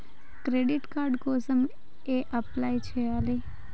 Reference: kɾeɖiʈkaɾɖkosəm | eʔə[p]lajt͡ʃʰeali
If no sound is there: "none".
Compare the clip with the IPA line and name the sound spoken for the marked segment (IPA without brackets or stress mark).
p